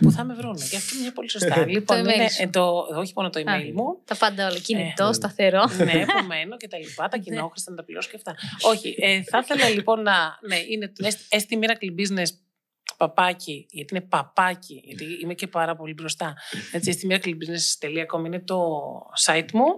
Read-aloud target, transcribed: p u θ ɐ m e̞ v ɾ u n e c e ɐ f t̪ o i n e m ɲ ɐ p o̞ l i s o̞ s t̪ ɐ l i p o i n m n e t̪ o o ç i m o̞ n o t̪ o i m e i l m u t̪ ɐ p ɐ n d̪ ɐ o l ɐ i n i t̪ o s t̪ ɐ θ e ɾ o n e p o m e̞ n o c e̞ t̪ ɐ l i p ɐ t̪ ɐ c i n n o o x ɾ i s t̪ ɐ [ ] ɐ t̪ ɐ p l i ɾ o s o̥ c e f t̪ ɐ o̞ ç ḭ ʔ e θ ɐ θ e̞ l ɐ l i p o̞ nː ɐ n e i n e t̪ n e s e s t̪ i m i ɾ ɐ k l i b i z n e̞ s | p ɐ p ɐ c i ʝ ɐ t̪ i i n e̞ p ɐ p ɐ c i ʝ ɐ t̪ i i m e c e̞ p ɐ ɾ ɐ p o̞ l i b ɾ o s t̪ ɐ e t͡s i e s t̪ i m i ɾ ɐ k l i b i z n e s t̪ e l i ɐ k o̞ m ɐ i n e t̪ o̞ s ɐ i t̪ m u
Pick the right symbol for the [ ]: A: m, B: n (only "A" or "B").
B